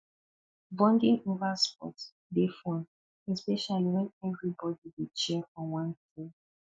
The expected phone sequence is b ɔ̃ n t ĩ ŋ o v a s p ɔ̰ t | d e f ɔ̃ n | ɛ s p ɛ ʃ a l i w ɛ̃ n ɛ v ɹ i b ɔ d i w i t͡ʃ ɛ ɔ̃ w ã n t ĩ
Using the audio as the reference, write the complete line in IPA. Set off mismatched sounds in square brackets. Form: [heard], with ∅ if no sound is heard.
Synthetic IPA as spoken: b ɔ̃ n [d] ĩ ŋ o v a s p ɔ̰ t | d e f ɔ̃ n | ɛ s p ɛ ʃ a l i w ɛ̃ n ɛ v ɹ i b ɔ d i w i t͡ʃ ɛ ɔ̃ w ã n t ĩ